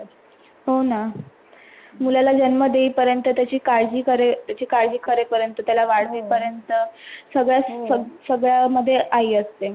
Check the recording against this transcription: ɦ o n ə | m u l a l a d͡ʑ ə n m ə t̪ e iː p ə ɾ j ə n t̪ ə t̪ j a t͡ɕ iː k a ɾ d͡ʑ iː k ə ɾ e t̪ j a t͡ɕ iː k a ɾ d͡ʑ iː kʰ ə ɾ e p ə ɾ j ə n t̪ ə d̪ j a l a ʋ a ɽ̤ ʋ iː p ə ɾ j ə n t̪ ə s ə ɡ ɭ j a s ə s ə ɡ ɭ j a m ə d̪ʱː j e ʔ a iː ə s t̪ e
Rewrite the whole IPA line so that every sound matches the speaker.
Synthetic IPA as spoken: ɦ o n a | m u l a l a d͡ʑ ə n m ə d̪ e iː p ə ɾ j ə n t̪ ə t̪ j a t͡ɕ iː k a ɾ d͡ʑ iː k ə ɾ e t̪ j a t͡ɕ iː k a ɾ d͡ʑ iː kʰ ə ɾ e p ə ɾ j ə n t̪ ə t̪ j a l a ʋ a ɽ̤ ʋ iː p ə ɾ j ə n t̪ ə s ə ɡ ɭ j a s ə s ə ɡ ɭ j a m ə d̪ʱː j e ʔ a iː ə s t̪ e